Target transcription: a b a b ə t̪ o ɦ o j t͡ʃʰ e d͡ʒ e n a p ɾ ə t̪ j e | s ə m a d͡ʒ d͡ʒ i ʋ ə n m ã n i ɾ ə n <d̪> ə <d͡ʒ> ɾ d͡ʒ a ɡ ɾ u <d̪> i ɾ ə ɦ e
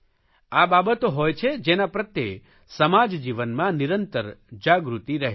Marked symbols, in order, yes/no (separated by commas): no, no, no